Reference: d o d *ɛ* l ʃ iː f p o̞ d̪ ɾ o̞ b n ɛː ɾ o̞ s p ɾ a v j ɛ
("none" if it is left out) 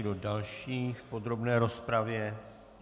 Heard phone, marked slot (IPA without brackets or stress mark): a